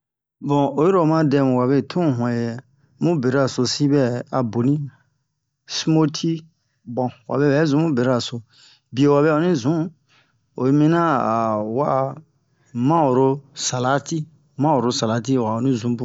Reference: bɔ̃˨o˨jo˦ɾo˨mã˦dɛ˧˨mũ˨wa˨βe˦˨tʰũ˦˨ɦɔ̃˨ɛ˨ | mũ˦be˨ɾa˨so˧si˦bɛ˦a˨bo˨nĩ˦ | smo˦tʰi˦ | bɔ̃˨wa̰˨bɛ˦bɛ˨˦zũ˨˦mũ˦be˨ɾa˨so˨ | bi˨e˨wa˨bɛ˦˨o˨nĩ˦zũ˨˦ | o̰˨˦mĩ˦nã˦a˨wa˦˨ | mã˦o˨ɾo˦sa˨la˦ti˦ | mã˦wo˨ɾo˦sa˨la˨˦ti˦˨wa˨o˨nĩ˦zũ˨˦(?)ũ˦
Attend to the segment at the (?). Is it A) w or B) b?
B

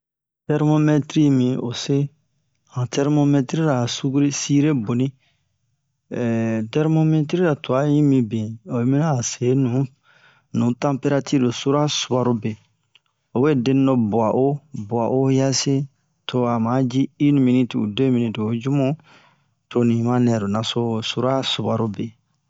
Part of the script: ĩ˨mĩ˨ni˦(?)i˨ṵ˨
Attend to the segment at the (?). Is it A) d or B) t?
B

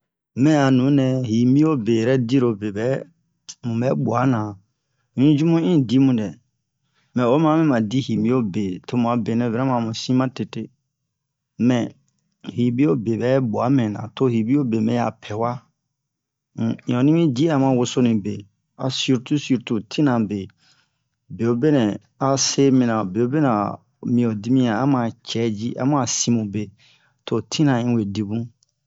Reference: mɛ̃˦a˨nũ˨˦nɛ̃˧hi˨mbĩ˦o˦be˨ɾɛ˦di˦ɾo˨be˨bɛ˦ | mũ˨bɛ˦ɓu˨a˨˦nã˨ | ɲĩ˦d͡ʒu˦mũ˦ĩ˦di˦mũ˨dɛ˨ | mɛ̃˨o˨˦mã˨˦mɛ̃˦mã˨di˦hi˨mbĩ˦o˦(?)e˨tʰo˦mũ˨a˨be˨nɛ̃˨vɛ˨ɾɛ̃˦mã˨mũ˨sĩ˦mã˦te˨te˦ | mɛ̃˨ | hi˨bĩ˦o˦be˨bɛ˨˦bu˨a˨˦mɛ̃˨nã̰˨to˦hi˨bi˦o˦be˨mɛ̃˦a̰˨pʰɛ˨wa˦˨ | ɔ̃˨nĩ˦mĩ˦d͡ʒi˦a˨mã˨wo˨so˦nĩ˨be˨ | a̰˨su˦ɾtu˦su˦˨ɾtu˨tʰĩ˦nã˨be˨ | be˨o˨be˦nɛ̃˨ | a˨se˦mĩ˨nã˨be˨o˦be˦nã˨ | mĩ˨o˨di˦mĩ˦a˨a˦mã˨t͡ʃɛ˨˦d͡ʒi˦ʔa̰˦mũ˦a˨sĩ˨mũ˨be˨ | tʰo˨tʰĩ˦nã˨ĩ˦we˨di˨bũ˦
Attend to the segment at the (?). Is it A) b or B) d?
A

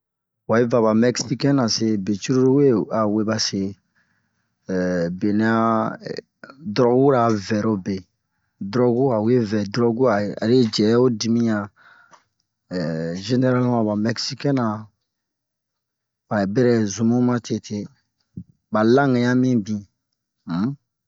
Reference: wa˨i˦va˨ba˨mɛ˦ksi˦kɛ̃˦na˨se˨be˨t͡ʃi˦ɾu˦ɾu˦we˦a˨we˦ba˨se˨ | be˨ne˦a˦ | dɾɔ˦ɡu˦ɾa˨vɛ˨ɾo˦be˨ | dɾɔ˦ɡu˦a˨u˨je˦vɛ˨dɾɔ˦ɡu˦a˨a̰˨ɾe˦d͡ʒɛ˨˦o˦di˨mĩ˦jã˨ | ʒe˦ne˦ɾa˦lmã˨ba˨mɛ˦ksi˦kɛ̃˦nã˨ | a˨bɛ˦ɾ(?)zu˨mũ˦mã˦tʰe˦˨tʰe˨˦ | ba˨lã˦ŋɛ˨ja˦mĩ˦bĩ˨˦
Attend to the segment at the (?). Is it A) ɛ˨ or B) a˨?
A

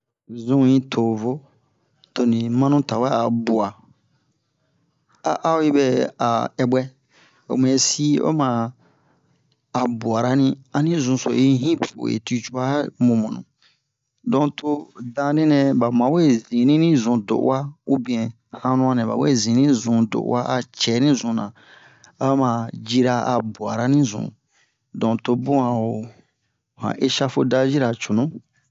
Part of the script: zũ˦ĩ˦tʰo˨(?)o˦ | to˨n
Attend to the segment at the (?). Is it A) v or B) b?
A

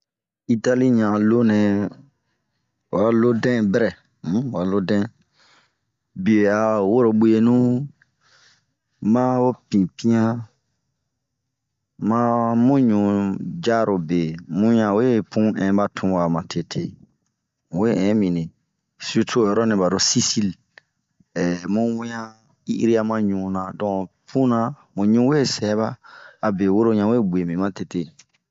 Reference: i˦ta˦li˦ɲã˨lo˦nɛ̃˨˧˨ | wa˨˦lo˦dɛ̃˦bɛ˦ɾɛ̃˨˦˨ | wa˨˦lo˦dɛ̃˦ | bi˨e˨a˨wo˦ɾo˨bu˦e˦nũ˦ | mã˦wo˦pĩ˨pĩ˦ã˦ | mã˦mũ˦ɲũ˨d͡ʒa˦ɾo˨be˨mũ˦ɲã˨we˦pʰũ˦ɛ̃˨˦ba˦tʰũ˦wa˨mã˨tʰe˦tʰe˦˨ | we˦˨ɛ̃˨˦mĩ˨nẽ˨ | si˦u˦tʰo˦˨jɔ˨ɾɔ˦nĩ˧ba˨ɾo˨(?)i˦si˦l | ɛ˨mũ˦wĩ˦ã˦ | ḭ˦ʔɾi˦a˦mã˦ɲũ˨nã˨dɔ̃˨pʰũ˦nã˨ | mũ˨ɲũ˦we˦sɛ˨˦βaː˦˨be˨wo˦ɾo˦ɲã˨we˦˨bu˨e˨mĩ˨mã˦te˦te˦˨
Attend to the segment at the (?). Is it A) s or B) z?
A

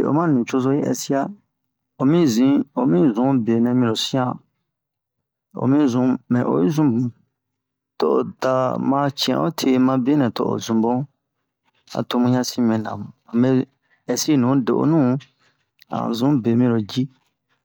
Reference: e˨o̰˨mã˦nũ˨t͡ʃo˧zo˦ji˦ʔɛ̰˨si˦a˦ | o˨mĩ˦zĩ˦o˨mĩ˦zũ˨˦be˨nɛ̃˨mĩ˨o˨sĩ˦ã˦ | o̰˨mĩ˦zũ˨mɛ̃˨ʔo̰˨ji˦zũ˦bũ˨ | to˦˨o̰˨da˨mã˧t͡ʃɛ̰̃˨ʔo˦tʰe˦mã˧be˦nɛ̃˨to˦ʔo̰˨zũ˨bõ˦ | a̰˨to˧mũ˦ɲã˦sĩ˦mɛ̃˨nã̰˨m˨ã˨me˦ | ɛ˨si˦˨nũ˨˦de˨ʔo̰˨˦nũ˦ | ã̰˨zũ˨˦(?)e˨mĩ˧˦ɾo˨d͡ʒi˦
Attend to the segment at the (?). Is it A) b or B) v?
A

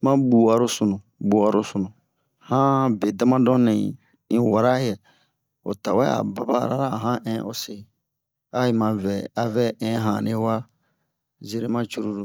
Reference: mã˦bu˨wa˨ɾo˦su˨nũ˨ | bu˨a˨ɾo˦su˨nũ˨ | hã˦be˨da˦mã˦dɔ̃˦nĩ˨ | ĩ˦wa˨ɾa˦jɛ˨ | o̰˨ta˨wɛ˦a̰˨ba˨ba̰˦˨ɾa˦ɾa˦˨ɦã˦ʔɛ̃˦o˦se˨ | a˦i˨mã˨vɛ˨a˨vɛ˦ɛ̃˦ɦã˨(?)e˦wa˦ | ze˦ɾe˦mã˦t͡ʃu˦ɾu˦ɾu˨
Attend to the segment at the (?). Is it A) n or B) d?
A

